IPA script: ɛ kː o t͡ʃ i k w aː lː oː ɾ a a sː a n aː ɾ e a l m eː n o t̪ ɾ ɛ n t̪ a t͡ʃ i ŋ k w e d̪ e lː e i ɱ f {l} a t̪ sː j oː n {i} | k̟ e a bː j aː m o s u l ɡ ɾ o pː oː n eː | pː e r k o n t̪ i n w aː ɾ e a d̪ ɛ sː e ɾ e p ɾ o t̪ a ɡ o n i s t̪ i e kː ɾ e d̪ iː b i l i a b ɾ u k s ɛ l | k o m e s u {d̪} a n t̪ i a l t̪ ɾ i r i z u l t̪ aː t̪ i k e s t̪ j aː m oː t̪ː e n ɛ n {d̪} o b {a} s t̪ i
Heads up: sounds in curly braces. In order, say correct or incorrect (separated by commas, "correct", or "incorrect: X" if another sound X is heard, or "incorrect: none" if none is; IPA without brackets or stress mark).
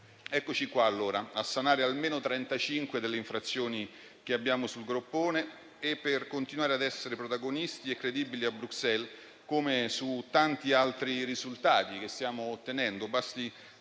incorrect: ɾ, correct, incorrect: t̪, correct, correct